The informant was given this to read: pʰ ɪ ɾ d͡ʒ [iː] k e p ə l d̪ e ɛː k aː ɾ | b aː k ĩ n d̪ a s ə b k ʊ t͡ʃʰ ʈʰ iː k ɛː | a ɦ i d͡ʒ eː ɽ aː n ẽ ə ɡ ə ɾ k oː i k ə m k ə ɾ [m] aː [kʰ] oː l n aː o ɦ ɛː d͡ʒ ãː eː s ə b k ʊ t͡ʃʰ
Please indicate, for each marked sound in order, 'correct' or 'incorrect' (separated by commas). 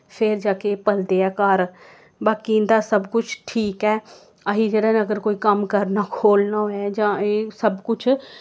incorrect, incorrect, correct